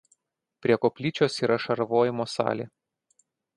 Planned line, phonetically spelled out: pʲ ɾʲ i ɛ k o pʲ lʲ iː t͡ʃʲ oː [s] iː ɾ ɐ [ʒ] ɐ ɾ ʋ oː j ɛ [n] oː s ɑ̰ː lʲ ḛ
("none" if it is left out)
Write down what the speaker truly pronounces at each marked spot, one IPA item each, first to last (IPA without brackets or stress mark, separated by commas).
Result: s, ʃ, m